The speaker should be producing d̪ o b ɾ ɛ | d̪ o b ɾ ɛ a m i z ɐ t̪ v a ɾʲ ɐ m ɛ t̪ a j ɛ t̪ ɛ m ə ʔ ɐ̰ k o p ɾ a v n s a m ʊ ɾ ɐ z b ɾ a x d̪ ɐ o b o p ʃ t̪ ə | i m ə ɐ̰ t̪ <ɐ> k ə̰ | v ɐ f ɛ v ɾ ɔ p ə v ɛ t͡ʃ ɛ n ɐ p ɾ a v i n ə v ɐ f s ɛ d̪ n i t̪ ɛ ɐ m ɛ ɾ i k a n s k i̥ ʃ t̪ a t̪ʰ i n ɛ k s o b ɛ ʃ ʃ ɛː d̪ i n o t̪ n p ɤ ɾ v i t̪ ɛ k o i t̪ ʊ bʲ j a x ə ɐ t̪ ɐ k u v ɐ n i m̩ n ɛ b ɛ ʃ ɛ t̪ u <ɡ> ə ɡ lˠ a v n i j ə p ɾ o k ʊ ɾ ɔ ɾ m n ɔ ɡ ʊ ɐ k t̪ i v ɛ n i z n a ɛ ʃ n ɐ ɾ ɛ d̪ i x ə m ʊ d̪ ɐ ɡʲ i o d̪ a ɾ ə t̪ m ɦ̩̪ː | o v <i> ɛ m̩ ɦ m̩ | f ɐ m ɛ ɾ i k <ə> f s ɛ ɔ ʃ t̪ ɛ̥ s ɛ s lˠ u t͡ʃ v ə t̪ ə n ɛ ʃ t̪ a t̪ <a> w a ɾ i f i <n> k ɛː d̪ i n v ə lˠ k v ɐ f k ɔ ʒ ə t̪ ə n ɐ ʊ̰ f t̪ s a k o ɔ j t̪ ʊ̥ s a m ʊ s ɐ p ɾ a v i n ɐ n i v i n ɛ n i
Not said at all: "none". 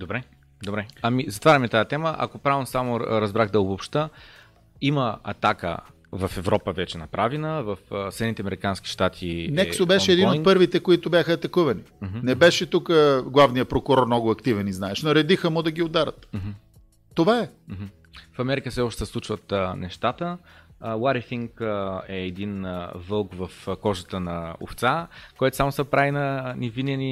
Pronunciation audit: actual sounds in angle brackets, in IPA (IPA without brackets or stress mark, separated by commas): a, k, a, ə, ə, ŋ